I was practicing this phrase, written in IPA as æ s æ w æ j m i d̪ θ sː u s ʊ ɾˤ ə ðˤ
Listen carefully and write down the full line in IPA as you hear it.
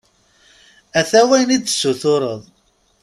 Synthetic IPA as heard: æ θ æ w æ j n i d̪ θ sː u θ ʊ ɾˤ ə ðˤ